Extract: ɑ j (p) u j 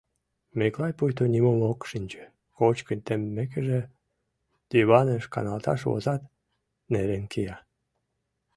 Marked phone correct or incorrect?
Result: correct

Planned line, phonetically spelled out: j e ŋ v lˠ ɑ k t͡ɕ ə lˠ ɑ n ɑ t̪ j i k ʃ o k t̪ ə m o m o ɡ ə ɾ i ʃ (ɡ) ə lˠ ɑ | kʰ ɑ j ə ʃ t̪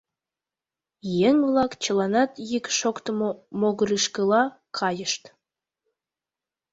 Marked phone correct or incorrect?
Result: incorrect: k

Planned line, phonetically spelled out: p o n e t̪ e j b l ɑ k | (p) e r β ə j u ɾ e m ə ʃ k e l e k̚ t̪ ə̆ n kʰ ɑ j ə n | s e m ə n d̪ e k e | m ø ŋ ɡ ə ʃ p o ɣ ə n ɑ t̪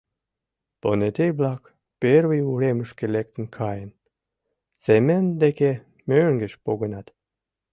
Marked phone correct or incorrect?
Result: correct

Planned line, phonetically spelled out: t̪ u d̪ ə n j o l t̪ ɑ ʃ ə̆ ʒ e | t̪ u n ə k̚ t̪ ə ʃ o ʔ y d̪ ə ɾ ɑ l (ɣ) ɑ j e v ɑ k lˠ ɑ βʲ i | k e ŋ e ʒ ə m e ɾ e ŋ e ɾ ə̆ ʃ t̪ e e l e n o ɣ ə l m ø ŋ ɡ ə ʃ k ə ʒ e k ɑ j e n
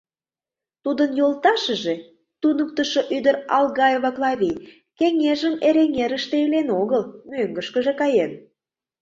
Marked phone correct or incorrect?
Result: correct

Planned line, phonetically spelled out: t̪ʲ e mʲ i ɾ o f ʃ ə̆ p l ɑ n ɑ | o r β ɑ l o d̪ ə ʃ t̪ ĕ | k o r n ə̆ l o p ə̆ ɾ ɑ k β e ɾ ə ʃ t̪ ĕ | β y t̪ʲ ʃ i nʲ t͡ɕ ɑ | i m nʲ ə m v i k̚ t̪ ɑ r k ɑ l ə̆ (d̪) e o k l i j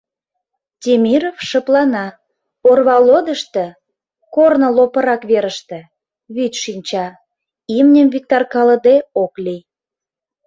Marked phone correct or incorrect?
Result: correct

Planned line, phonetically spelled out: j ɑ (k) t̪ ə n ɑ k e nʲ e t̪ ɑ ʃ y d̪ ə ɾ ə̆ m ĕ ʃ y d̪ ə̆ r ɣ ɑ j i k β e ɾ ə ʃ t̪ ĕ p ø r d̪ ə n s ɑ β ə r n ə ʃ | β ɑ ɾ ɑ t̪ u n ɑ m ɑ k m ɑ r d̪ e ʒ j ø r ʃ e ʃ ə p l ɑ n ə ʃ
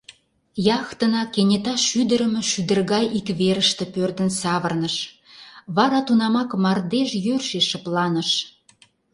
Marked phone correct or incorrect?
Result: incorrect: x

